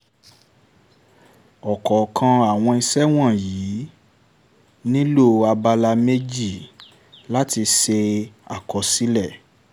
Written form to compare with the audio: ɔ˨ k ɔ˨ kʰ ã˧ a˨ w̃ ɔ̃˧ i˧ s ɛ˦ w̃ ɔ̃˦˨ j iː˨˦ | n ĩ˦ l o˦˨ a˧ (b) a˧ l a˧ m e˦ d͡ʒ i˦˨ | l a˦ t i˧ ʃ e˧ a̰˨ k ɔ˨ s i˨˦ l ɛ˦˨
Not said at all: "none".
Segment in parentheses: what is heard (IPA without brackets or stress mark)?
b